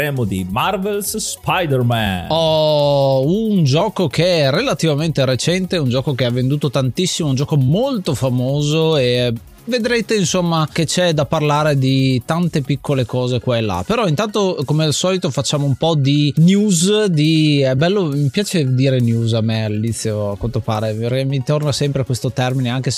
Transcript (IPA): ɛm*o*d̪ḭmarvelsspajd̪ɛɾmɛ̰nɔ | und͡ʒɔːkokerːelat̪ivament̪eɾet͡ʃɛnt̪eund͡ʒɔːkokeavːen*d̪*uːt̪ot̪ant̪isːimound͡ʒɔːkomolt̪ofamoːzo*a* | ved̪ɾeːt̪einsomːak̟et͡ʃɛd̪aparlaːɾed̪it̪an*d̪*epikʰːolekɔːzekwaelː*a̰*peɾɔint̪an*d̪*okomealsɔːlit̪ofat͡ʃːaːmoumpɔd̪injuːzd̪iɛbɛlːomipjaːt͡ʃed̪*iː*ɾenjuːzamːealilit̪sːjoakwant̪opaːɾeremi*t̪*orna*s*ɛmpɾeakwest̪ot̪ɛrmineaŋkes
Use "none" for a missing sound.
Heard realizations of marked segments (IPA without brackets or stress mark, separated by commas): o, d̪, e, t̪, a̰, t̪, iː, t̪, s